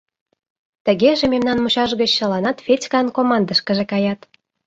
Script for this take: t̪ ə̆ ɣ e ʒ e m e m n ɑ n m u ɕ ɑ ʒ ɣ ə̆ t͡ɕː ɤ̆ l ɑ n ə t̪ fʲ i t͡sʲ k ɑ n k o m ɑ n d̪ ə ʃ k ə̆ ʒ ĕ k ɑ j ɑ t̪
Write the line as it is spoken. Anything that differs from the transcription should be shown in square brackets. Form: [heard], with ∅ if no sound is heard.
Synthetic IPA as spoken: t̪ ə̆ ɣ e ʒ e m e m n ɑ n m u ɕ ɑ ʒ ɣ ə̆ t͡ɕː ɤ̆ l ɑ n [ɑ] t̪ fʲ [e] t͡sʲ k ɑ n k o m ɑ n d̪ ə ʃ k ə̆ ʒ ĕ k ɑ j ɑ t̪